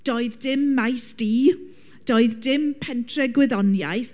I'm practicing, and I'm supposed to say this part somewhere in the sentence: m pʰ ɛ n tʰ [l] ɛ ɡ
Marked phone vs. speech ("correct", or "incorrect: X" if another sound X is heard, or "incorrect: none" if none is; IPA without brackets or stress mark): incorrect: r